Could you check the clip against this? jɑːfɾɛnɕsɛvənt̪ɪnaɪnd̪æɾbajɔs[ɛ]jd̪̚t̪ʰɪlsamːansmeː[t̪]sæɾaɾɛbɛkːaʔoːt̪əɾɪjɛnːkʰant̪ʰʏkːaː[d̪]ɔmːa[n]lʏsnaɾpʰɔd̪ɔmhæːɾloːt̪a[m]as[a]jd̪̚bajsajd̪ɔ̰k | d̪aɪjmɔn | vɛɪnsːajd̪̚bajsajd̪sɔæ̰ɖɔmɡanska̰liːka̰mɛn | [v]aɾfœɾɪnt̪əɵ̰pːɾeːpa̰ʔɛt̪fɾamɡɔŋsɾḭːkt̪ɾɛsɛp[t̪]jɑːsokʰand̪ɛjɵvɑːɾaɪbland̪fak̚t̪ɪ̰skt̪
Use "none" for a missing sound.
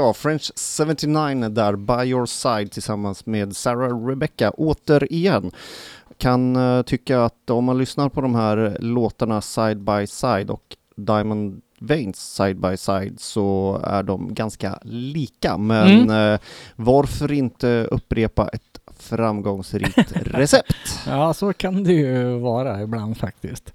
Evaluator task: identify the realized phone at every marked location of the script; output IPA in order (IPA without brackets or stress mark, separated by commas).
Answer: a, d̪, t̪, n, ɳ, a, v, t̪